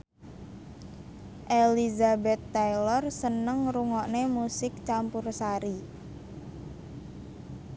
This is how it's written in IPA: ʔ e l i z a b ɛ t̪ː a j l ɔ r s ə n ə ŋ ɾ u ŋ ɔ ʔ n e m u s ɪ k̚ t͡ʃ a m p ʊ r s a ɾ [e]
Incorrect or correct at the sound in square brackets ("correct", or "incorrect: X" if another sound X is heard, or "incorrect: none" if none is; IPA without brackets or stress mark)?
incorrect: i